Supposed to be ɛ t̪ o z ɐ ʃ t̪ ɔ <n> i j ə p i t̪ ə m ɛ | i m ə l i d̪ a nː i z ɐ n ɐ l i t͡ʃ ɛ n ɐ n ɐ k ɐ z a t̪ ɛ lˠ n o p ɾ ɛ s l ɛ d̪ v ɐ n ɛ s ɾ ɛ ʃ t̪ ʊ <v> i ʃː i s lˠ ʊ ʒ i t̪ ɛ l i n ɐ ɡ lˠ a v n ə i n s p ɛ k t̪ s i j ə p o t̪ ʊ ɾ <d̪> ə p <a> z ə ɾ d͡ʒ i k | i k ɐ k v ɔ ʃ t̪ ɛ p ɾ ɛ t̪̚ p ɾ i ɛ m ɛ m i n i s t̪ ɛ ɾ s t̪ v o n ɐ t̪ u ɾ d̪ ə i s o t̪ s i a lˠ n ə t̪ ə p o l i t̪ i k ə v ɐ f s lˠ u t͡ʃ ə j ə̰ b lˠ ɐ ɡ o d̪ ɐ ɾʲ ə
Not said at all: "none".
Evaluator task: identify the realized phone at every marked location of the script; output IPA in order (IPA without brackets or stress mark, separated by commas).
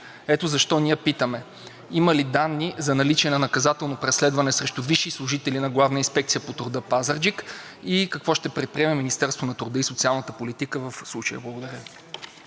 n, v, d̪, a